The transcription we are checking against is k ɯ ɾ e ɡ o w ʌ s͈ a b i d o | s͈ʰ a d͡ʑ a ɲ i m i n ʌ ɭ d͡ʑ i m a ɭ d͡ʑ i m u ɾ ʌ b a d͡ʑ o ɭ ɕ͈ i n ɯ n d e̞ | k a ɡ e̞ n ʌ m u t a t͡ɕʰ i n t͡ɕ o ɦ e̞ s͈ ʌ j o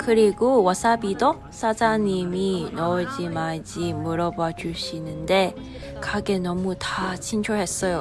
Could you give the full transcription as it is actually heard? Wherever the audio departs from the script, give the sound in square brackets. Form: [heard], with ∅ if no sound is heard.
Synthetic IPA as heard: k ɯ ɾ [i] ɡ o w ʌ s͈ a b i d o | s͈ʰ a d͡ʑ a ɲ i m i n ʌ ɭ d͡ʑ i m a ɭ d͡ʑ i m u ɾ ʌ b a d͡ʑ [u] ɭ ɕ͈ i n ɯ n d e̞ | k a ɡ e̞ n ʌ m u t a t͡ɕʰ i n [t͡ɕʰ] o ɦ e̞ s͈ ʌ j o